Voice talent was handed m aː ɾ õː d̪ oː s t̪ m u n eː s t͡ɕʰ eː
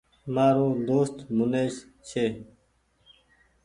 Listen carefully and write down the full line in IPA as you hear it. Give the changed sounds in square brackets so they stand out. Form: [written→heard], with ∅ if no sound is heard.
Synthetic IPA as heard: m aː ɾ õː d̪ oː s t̪ m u n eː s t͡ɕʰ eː